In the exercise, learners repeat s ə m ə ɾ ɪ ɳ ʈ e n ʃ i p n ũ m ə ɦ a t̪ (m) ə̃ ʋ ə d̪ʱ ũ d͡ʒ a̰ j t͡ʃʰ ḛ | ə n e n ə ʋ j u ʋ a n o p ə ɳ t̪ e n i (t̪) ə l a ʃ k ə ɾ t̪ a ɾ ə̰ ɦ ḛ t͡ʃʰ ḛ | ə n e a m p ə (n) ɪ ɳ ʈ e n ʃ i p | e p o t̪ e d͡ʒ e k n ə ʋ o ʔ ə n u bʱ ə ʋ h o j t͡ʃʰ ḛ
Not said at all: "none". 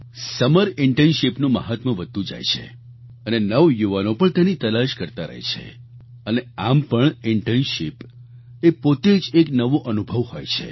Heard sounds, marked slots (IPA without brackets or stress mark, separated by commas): m, t̪, ɳ